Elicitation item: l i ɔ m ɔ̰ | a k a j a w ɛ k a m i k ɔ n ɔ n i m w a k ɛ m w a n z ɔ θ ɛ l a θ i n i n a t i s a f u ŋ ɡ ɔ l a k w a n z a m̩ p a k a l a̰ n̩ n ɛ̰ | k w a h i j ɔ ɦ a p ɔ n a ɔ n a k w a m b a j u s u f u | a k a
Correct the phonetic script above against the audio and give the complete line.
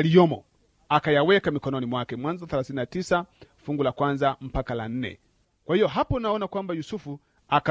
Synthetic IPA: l i ɔ m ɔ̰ | a k a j a w ɛ k a m i k ɔ n ɔ n i m w a k ɛ m w a n z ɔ θ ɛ l a θ i n i n a t i s a f u ŋ ɡ u l a k w a n z a m̩ p a k a l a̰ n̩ n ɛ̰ | k w a h i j ɔ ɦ a p ɔ n a ɔ n a k w a m b a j u s u f u | a k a